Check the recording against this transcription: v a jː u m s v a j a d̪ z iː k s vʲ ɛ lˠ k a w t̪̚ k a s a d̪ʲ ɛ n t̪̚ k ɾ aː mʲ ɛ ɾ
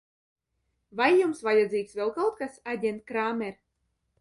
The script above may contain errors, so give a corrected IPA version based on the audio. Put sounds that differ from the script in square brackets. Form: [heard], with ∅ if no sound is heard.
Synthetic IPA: v a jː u m s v a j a d̪ z iː k s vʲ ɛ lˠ k a w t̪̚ k a s a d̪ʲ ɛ n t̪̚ k ɾ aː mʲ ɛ ɾ